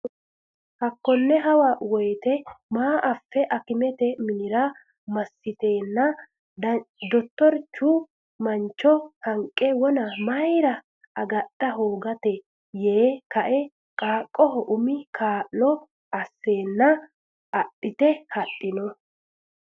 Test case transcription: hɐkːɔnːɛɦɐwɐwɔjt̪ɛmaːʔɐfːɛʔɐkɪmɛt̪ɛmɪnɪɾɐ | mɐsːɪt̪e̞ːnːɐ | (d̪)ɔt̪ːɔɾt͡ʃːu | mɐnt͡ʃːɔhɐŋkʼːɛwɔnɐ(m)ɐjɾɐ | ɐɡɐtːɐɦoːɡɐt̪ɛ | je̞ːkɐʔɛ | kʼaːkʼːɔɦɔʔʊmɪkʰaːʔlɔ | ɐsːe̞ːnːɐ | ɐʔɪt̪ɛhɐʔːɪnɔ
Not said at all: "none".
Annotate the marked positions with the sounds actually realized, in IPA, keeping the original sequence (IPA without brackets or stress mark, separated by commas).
d̪, m